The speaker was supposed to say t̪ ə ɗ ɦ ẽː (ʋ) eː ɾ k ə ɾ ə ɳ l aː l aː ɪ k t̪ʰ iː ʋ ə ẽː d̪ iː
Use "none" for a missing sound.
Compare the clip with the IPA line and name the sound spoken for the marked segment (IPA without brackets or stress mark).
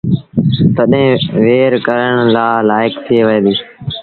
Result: ʋ